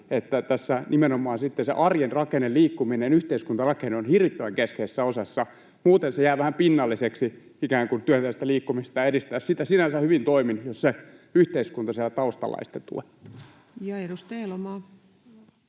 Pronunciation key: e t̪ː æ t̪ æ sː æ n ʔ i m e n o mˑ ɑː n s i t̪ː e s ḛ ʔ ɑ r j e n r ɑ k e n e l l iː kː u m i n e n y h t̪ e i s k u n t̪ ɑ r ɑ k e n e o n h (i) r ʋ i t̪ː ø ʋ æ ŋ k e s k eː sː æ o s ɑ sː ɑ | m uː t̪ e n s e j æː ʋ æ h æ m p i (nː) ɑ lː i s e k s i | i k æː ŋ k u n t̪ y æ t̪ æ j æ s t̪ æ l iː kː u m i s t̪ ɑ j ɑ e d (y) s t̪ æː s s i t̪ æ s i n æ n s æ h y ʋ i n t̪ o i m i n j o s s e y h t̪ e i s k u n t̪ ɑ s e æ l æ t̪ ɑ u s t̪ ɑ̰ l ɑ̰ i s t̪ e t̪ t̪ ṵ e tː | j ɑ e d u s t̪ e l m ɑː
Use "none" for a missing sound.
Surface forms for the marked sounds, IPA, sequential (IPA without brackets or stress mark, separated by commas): i, nː, i